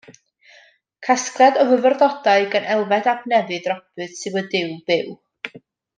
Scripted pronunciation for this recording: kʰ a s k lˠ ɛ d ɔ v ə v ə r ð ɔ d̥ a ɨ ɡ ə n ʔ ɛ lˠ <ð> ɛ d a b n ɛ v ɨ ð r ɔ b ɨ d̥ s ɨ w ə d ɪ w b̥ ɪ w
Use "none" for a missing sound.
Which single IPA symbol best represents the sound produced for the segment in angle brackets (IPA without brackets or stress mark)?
v